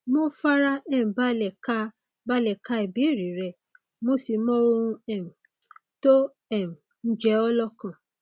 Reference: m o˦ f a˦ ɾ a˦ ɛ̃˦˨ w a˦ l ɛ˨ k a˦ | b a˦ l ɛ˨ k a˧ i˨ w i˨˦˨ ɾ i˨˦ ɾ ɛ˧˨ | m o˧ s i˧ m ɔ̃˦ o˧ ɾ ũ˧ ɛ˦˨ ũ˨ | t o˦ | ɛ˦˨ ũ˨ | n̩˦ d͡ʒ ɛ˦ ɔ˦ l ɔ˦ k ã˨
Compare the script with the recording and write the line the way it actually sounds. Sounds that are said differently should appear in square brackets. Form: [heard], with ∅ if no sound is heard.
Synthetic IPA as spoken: m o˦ f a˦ ɾ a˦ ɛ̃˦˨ [b] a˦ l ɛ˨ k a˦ | b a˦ l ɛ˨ k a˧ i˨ [b] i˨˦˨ ɾ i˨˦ ɾ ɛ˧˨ | m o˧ s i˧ m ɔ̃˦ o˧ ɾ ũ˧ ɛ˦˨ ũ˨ | t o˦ | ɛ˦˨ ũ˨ | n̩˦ d͡ʒ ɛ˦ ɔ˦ l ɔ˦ k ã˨